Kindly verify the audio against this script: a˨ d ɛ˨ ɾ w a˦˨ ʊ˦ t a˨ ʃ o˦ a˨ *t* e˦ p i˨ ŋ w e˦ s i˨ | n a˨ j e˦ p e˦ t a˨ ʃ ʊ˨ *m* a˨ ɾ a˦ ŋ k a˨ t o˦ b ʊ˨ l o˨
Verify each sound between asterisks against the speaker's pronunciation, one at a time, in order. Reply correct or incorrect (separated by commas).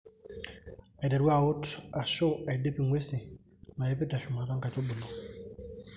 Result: incorrect, correct